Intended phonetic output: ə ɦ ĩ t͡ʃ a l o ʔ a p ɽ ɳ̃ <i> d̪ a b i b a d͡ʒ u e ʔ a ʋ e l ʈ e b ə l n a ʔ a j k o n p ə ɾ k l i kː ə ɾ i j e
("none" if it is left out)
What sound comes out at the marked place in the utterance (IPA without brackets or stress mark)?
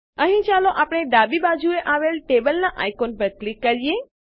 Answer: e